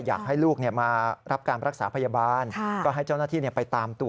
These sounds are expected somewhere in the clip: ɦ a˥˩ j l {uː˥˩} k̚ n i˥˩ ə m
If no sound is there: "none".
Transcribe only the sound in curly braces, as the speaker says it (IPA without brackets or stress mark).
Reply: uː˥˩